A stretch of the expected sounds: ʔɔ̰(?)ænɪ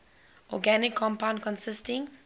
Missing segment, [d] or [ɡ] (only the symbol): ɡ